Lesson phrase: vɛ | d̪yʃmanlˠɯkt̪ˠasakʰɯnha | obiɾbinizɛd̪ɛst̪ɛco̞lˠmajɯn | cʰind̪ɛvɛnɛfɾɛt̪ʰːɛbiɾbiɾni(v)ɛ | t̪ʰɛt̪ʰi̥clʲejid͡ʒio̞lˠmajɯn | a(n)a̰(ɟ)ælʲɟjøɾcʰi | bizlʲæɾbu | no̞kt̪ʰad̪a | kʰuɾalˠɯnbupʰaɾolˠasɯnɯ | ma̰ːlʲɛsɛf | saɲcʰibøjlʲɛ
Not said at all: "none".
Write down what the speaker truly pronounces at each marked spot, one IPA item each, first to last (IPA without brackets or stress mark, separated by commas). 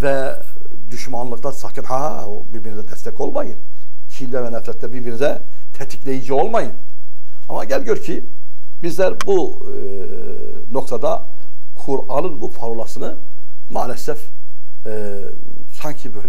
z, m, ɟ